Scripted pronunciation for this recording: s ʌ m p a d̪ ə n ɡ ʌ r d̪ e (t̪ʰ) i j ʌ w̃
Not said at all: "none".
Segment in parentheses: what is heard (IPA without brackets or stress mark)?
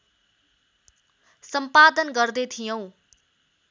t̪ʰ